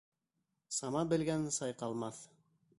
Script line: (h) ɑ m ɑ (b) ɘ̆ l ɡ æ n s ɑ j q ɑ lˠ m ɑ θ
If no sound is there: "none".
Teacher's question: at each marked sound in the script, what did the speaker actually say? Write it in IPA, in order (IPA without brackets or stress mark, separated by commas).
s, b